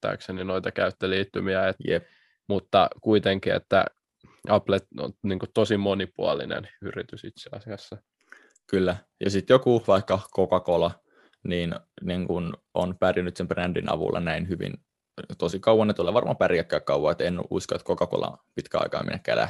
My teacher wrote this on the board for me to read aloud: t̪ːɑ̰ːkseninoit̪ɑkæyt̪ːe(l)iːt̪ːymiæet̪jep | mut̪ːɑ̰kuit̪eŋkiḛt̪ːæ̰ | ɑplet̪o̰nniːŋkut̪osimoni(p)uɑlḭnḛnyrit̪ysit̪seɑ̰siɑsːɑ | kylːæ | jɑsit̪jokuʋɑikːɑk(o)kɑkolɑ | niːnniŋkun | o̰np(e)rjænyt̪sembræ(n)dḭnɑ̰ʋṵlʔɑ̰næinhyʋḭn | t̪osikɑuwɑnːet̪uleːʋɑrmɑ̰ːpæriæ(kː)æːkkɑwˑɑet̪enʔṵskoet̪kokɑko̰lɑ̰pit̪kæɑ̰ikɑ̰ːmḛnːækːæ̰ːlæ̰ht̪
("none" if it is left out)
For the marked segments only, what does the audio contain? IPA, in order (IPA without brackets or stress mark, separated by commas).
l, p, o, æ, n, kː